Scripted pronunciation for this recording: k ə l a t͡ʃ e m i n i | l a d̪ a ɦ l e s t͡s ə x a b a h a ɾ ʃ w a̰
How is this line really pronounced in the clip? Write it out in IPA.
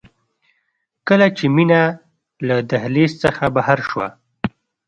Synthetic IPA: k ə l a t͡ʃ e m i n a | l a d̪ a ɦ l e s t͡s ə x a b a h a ɾ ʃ w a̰